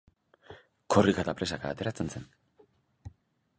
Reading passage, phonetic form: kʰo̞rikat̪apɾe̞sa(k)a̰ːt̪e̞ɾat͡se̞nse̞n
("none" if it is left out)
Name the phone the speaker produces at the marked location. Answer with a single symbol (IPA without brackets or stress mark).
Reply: k